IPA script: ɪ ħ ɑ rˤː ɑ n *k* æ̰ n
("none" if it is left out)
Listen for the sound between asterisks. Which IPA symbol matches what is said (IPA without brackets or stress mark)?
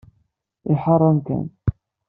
k